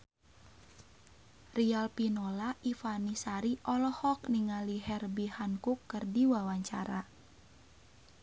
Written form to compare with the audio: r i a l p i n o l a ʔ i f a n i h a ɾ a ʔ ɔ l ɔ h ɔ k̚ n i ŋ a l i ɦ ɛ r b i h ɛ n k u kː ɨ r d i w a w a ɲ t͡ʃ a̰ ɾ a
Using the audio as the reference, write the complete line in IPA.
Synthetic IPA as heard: r i a l p i n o l a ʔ i f a n i s a ɾ i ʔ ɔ l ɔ h ɔ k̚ n i ŋ a l i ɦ ɛ r b i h a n k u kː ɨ r d i w a w a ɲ t͡ʃ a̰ ɾ a